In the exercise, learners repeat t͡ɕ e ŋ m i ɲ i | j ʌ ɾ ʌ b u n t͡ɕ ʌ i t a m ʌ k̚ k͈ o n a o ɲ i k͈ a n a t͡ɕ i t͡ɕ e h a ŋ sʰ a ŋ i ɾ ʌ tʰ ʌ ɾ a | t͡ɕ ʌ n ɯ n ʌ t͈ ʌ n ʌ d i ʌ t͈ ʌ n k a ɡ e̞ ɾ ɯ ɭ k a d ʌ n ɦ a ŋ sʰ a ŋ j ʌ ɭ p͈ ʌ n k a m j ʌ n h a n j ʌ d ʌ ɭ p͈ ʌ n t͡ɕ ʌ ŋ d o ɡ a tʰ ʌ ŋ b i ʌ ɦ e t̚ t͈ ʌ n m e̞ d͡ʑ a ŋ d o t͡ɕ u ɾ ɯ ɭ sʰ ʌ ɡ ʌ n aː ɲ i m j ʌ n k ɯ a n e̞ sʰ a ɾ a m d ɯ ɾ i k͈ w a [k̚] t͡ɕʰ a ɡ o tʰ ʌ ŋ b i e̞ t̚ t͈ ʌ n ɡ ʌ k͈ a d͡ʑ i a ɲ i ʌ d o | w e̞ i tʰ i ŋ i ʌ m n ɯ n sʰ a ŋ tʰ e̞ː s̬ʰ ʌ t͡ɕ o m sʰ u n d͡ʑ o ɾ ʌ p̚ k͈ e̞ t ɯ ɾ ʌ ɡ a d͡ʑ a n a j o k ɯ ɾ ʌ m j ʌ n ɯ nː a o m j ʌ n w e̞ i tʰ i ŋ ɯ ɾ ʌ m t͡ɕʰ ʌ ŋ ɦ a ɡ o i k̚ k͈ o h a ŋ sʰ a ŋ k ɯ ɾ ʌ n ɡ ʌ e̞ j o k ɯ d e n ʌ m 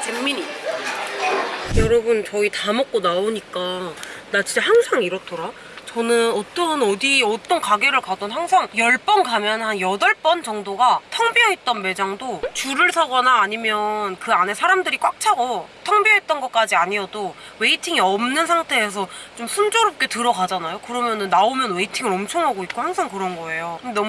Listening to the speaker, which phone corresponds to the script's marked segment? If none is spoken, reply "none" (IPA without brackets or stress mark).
k̚